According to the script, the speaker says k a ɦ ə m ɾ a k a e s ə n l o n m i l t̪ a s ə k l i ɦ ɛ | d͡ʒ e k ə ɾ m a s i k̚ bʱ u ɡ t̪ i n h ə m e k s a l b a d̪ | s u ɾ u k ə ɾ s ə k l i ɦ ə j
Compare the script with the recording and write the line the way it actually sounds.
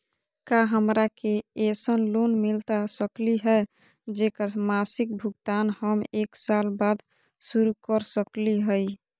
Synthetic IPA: k a ɦ ə m ɾ a k e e s ə n l o n m i l t̪ a s ə k l i ɦ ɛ | d͡ʒ e k ə ɾ m a s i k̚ bʱ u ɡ t̪ a n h ə m e k s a l b a d̪ | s u ɾ u k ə ɾ s ə k l i ɦ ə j